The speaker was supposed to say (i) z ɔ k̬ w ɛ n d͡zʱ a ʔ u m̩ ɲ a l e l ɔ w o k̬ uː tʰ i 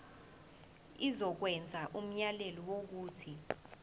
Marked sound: correct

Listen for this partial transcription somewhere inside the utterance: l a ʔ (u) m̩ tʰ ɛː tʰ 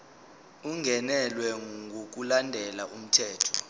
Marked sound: correct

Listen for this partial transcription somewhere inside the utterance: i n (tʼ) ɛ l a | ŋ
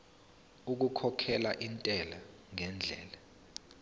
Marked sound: correct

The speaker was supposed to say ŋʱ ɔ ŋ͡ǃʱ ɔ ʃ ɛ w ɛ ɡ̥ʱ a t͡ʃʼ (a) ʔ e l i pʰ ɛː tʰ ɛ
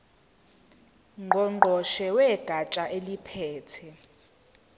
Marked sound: correct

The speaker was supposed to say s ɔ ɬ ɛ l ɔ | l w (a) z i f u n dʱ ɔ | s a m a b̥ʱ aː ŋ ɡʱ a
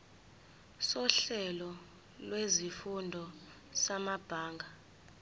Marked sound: incorrect: e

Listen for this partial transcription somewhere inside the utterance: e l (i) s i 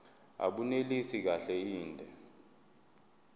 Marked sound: correct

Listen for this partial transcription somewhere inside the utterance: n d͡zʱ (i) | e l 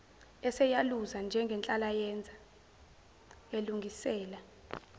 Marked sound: incorrect: a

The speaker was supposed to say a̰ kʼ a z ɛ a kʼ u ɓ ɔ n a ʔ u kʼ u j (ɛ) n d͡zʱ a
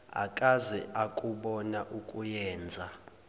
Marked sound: incorrect: ɛː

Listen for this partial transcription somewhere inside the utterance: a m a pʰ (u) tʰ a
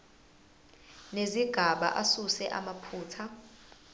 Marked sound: incorrect: uː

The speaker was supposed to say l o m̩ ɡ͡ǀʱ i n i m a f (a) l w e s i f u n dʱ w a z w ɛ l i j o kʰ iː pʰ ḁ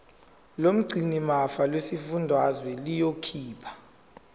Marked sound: correct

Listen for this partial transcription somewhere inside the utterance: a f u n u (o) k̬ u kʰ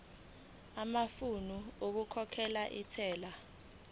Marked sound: correct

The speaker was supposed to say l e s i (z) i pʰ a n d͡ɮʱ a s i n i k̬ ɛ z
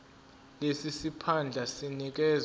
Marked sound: incorrect: s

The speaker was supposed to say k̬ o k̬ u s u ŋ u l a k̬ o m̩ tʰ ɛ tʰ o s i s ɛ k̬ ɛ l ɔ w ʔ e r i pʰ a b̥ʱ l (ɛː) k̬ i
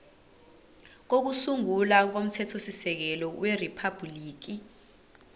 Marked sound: incorrect: iː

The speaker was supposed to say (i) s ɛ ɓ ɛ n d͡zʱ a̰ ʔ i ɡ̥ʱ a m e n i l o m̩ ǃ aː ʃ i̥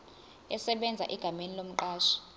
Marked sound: incorrect: ɛ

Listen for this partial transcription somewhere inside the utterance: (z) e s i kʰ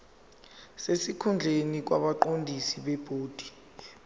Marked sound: incorrect: s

